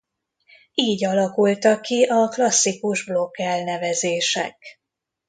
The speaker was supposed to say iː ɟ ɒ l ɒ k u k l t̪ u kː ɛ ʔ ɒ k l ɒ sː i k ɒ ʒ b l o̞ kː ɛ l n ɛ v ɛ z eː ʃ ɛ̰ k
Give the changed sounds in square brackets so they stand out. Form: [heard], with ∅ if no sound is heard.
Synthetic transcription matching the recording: iː ɟ ɒ l ɒ k u [∅] l t̪ [ɒ] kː [i] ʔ ɒ k l ɒ sː i k [u] ʒ b l o̞ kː ɛ l n ɛ v ɛ z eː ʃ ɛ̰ k